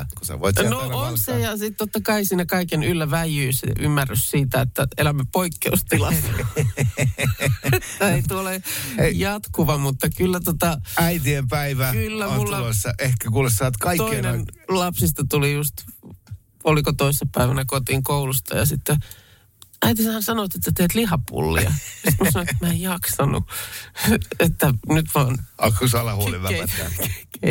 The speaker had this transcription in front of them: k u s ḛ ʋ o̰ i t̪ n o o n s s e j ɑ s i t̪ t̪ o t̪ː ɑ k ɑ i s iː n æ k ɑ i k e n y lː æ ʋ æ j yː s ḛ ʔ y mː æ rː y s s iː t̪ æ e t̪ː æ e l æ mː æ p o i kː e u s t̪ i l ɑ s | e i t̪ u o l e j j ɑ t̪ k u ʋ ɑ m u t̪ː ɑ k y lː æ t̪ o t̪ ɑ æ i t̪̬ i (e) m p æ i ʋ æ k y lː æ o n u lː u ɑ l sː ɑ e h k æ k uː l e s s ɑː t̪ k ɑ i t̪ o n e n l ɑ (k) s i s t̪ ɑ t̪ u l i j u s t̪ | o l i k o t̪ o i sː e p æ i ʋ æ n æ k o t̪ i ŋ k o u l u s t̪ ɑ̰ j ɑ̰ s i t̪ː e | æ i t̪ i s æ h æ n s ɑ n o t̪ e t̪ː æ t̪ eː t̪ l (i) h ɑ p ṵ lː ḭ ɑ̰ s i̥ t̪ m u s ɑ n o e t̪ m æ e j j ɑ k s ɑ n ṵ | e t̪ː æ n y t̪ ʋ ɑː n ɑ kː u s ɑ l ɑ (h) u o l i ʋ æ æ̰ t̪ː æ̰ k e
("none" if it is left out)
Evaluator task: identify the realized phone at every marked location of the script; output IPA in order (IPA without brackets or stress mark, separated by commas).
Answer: e, p, i, h